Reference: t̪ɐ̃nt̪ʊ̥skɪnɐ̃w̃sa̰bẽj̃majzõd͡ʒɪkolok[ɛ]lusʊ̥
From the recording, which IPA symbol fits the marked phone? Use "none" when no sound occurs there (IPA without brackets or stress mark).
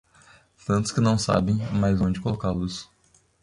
a